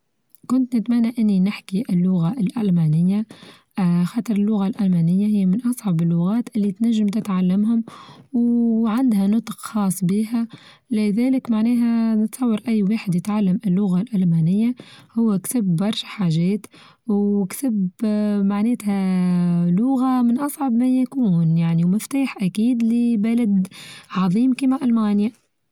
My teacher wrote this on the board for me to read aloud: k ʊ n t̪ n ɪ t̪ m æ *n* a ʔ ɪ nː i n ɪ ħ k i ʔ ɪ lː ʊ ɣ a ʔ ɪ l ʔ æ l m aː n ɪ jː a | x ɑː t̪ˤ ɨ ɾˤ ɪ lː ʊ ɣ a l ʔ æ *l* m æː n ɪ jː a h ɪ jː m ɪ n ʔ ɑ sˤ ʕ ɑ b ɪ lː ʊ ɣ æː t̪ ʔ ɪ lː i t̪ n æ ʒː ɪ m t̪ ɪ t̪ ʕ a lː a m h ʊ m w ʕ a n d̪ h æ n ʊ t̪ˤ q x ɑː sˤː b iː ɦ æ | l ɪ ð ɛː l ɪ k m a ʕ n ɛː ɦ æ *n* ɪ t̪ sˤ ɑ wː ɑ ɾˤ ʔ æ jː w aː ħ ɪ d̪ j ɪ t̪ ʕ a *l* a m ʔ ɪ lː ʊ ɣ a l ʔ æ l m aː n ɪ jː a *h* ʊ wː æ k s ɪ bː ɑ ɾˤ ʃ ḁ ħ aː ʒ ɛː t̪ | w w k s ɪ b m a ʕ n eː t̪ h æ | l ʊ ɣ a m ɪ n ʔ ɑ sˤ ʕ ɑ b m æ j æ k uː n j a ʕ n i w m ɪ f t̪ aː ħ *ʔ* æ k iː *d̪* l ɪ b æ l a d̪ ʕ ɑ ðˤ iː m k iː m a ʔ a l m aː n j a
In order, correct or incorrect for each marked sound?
incorrect, correct, correct, incorrect, correct, correct, correct

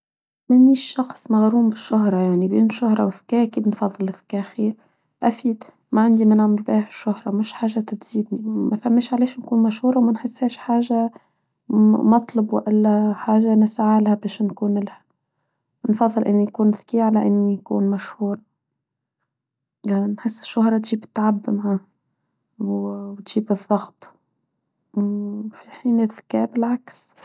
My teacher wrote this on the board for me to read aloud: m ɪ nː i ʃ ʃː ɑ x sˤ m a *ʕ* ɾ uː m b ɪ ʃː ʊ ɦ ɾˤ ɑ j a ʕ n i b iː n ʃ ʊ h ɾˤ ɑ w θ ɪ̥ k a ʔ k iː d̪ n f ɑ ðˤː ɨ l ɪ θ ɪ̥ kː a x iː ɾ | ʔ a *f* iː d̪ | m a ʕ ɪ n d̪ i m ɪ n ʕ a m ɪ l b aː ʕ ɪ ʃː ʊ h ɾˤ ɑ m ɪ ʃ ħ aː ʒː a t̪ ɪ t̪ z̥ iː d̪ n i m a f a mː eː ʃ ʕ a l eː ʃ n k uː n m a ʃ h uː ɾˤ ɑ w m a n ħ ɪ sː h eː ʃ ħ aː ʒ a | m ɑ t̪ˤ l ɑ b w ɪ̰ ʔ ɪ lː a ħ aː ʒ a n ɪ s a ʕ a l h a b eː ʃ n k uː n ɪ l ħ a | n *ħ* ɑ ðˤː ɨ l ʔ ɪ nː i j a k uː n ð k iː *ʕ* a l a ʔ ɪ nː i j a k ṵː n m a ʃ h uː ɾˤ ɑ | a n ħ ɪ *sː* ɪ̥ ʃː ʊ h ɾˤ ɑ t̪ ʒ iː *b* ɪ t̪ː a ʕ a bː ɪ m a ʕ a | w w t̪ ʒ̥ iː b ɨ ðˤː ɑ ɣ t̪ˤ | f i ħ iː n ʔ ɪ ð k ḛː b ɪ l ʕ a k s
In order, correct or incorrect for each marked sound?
incorrect, correct, incorrect, correct, correct, correct

